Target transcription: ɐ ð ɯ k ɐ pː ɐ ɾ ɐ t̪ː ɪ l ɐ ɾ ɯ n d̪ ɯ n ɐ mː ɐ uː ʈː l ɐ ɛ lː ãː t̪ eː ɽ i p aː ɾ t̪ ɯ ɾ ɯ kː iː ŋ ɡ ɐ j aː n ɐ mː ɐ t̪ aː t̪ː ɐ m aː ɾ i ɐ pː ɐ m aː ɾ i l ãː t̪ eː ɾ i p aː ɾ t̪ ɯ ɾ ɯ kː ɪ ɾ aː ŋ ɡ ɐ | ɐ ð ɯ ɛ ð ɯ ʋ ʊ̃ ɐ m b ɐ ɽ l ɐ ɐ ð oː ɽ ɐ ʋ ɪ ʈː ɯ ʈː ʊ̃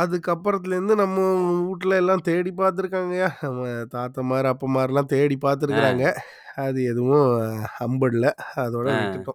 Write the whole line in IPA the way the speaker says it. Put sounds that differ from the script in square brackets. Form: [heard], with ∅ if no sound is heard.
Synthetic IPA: ɐ ð ɯ k ɐ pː ɐ ɾ ɐ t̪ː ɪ l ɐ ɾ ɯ n d̪ ɯ n ɐ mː ɐ uː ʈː l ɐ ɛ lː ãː t̪ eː ɽ i p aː ɾ t̪ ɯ ɾ ɯ kː [aː] ŋ ɡ ɐ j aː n ɐ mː ɐ t̪ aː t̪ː ɐ m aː ɾ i ɐ pː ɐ m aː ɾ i l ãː t̪ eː [ɽ] i p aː ɾ t̪ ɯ ɾ ɯ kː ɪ ɾ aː ŋ ɡ ɐ | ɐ ð ɯ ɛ ð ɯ ʋ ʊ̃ ɐ m b ɐ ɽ l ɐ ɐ ð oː ɽ ɐ ʋ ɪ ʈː ɯ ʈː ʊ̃